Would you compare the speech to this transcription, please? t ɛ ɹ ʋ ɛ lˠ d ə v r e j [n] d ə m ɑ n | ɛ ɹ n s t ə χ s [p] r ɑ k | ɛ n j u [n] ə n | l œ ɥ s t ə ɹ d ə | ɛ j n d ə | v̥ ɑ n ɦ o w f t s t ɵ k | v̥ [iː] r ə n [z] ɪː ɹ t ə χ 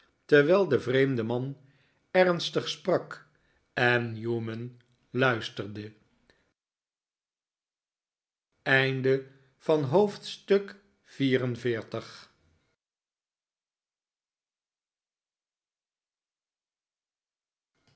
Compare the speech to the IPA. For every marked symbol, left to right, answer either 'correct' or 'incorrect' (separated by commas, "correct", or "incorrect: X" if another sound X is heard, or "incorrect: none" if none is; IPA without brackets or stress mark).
incorrect: m, correct, incorrect: m, correct, incorrect: v